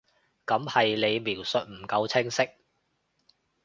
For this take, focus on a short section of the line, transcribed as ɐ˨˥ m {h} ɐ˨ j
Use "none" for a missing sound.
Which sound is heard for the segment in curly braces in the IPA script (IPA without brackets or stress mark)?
h